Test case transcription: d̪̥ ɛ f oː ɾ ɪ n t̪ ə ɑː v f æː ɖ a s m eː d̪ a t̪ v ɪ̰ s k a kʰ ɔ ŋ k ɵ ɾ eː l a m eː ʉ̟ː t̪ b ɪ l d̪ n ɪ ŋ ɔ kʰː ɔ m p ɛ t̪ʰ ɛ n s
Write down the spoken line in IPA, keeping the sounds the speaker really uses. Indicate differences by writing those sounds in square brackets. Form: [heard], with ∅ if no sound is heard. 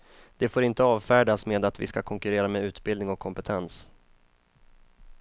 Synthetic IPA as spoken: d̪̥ ɛ f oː ɾ ɪ n t̪ ə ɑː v f æː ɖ a s m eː d̪ a t̪ v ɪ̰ s k a kʰ ɔ ŋ k ɵ ɾ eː [ɾ] a m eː ʉ̟ː t̪ b ɪ l d̪ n ɪ ŋ ɔ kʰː ɔ m p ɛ t̪ʰ ɛ n s